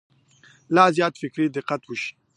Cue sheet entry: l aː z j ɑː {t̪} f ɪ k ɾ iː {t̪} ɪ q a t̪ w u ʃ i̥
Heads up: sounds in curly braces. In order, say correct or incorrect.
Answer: correct, incorrect: d̪

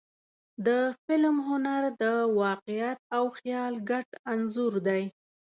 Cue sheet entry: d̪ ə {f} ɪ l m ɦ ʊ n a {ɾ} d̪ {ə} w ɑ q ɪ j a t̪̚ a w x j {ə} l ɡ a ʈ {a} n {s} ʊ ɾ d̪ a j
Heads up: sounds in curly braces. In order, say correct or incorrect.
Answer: correct, correct, correct, incorrect: ɑ, correct, incorrect: z

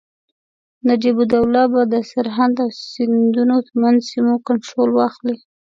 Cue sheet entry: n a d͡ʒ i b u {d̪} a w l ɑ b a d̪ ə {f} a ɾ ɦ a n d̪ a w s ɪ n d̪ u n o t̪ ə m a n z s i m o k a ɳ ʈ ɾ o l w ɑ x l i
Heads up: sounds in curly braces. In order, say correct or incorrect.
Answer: correct, incorrect: s

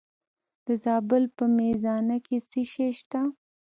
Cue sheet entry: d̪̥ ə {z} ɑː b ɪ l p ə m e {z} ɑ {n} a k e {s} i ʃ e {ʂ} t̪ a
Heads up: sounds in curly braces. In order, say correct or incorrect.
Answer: correct, correct, correct, correct, incorrect: ʃ

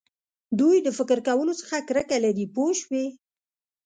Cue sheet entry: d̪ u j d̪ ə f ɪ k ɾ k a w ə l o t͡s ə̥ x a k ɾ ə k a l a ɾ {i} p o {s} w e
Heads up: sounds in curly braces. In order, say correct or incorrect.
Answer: correct, incorrect: ʃ

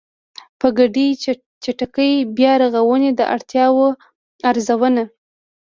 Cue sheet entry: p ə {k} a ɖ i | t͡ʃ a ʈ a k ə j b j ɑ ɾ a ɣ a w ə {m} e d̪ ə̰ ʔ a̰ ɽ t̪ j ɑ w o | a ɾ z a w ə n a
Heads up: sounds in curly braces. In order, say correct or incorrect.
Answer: incorrect: ɡ, incorrect: n

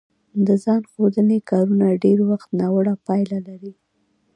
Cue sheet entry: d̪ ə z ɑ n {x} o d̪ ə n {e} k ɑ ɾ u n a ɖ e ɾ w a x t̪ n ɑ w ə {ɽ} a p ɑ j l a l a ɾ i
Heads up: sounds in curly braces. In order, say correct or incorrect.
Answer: correct, correct, correct

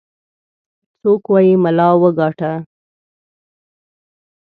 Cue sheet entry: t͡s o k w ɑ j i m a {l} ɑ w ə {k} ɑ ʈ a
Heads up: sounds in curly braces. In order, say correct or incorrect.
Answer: correct, incorrect: ɡ

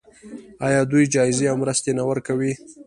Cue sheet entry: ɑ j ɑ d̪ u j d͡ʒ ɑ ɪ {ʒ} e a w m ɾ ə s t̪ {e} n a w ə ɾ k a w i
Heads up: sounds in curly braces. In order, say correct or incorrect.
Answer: incorrect: z, correct

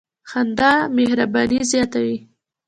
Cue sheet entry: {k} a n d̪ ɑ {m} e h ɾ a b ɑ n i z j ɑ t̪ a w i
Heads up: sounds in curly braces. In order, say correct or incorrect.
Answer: incorrect: x, correct

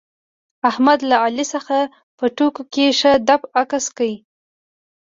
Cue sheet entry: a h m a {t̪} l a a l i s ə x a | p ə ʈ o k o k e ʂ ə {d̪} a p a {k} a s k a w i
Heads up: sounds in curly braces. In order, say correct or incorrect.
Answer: incorrect: d̪, correct, correct

